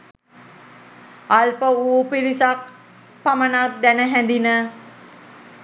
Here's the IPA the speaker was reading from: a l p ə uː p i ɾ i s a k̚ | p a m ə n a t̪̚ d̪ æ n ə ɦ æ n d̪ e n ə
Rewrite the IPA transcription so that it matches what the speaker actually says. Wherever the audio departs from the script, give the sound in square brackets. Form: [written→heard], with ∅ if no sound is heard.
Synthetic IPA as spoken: a l p ə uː p i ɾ i s a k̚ | p a m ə n a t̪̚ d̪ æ n ə ɦ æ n d̪ [e→i] n ə